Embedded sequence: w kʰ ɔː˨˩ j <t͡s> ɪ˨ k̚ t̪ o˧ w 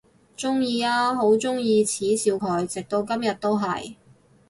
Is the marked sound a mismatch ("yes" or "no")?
no